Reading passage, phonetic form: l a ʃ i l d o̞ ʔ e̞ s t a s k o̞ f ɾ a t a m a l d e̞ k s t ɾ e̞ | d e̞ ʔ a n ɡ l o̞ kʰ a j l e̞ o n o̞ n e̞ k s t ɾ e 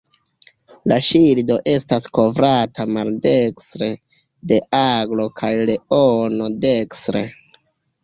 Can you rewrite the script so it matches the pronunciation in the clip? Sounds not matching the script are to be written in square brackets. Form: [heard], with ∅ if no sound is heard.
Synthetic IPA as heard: l a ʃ i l d o̞ ʔ e̞ s t a s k o̞ [v] ɾ a t a m a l d e̞ k s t ɾ e̞ | d e̞ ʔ a [∅] ɡ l o̞ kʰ a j l e̞ o n o̞ [d] e̞ k s t ɾ e

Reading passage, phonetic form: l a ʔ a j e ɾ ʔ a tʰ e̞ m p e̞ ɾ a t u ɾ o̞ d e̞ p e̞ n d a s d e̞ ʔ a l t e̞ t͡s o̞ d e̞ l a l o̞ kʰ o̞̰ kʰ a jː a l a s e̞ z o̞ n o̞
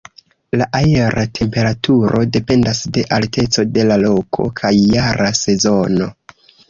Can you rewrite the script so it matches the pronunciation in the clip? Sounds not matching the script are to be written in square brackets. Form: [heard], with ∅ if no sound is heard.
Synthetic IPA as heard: l a ʔ a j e ɾ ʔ a tʰ e̞ m p e̞ ɾ a t u ɾ o̞ d e̞ p e̞ n d a s d e̞ ʔ a l t e̞ t͡s o̞ d e̞ l a l o̞ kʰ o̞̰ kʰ a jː a [ɾ] a s e̞ z o̞ n o̞

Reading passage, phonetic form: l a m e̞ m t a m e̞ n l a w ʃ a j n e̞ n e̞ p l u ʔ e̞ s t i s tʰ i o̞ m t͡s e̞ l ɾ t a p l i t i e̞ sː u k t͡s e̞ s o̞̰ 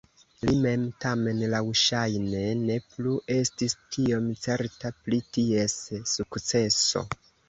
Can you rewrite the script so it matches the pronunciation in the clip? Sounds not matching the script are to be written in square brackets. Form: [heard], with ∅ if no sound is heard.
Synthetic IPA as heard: l [i] m e̞ m t a m e̞ n l a w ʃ a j n e̞ n e̞ p l u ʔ e̞ s t i s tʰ i o̞ m t͡s e̞ [∅] ɾ t a p l i t i e̞ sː u k t͡s e̞ s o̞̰

